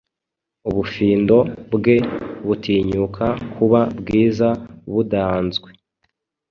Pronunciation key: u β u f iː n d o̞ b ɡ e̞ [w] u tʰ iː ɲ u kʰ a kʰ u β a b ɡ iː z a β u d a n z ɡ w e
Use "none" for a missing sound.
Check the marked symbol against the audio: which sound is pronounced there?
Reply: β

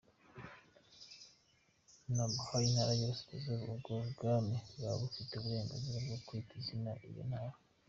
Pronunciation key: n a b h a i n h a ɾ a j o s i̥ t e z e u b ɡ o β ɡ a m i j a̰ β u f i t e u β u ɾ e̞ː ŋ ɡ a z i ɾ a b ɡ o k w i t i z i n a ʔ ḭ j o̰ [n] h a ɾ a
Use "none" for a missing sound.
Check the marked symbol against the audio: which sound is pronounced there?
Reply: n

